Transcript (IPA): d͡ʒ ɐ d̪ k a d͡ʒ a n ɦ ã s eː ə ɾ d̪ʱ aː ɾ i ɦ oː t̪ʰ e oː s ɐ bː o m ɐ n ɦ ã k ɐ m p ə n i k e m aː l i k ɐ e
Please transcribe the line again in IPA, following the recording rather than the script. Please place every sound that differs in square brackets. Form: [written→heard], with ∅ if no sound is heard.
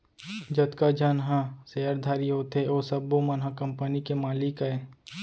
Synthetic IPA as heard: d͡ʒ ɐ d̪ k a d͡ʒ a n ɦ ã s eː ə ɾ d̪ʱ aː ɾ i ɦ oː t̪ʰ e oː s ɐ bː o m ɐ n ɦ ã k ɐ m p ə n i k e m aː l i k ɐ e